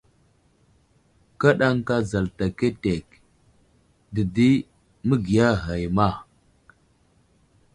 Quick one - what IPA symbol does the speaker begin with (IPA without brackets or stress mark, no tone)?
k